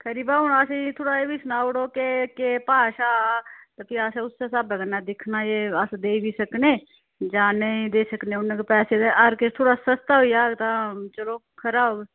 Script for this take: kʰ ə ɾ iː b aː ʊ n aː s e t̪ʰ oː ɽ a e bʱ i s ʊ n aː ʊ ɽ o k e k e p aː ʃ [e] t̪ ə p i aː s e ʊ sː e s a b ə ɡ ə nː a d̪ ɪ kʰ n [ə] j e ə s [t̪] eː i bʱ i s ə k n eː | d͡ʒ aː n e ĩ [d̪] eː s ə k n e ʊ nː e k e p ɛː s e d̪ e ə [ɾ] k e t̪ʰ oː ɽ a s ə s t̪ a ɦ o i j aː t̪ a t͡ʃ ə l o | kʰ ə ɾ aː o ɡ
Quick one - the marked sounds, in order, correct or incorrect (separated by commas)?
incorrect, incorrect, incorrect, correct, correct